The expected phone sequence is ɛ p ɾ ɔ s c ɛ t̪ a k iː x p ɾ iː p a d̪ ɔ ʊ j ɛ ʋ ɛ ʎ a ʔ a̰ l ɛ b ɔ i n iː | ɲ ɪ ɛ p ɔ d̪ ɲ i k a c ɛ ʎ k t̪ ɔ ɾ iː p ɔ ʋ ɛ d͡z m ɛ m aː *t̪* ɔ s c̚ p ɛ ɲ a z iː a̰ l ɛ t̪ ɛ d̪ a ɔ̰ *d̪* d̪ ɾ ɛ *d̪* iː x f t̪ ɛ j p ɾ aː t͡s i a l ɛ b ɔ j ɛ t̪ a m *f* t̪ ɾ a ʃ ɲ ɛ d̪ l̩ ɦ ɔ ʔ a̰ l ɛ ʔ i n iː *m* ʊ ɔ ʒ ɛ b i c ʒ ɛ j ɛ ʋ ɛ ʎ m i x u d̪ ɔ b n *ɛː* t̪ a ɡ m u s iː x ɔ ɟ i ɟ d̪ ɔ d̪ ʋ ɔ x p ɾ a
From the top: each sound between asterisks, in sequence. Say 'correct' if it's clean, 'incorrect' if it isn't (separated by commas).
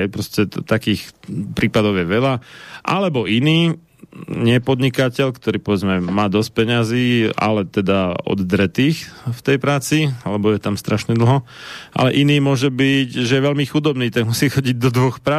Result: incorrect, correct, incorrect, incorrect, correct, incorrect